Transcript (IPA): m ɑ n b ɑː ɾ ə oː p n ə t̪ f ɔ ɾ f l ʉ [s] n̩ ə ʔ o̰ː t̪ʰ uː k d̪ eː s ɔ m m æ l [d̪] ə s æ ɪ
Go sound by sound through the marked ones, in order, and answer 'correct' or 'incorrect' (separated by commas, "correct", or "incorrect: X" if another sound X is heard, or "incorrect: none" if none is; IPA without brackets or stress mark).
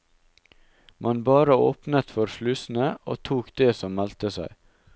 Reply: correct, incorrect: t̪